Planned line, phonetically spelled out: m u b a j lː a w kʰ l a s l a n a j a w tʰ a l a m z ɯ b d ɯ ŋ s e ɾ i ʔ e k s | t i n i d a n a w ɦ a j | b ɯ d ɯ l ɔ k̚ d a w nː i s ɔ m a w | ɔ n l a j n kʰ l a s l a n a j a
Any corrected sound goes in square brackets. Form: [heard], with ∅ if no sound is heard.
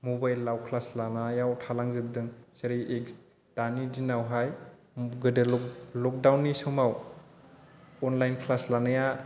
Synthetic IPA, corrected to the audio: m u b a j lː a w kʰ l a s l a n a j a w tʰ a l a [ŋ] z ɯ b d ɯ ŋ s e ɾ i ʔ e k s | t [a] n i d [i] n a w ɦ a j | [ɡ] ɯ d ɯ l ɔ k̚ d a w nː i s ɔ m a w | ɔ n l a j n kʰ l a s l a n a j a